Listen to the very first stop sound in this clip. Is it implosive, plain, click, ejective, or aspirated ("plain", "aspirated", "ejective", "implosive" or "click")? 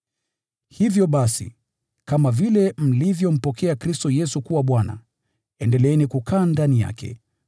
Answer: implosive